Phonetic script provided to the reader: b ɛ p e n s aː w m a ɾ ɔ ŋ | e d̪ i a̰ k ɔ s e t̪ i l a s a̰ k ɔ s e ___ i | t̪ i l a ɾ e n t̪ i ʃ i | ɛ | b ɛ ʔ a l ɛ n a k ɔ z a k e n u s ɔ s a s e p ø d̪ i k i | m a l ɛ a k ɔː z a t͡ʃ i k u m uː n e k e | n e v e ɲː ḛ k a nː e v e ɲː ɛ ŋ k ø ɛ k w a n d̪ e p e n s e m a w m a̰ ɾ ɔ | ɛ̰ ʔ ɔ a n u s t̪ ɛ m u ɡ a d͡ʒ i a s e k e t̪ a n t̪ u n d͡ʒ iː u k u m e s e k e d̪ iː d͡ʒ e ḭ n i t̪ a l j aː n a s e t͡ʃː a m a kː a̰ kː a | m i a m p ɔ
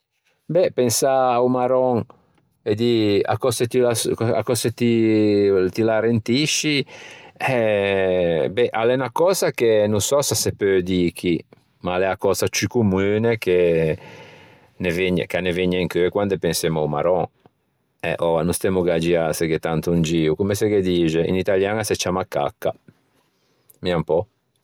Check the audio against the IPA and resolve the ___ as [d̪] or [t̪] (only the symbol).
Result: t̪